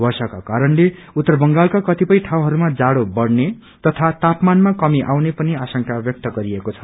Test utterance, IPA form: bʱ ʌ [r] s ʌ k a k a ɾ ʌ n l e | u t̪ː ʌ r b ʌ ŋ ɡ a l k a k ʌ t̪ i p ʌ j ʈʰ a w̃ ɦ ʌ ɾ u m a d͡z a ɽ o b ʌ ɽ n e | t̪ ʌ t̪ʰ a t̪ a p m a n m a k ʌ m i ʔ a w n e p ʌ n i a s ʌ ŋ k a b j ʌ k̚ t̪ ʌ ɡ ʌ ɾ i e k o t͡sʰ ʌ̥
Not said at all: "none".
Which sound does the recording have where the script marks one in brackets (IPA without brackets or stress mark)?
r